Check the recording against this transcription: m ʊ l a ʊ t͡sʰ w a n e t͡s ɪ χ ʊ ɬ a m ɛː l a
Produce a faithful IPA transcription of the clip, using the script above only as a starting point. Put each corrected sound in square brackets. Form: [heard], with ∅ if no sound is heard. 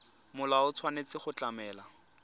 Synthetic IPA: m ʊ l a ʊ t͡sʰ w a n e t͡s ɪ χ ʊ [t͡ɬ] a m ɛː l a